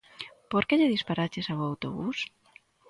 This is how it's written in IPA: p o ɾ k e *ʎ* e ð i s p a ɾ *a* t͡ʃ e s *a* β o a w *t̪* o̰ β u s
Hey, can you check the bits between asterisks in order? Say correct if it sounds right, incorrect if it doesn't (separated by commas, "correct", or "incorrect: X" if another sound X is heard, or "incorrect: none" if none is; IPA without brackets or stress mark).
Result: correct, correct, correct, correct